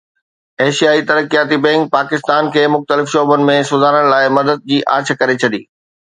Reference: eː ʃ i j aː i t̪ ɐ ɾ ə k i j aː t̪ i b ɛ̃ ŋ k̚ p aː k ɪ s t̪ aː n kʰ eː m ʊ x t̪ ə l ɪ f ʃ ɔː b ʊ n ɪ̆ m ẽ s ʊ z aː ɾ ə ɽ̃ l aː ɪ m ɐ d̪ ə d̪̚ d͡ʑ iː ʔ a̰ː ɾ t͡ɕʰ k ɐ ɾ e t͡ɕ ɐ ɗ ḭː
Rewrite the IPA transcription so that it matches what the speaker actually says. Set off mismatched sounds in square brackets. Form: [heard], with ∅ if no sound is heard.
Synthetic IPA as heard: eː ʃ i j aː i t̪ ɐ ɾ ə k i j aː t̪ i b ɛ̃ ŋ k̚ p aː k ɪ s t̪ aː n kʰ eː m ʊ x t̪ ə l ɪ f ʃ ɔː b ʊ n ɪ̆ m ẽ s ʊ z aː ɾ ə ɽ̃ l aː ɪ m ɐ d̪ ə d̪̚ d͡ʑ iː ʔ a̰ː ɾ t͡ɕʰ k ɐ ɾ e [t͡ɕʰ] ɐ ɗ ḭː